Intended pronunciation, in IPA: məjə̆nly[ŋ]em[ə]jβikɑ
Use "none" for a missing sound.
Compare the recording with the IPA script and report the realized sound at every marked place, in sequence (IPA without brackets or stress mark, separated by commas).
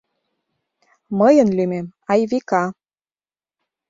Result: m, ɑ